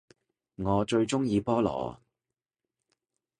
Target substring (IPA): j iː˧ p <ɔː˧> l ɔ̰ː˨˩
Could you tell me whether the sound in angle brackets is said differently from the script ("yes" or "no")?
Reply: yes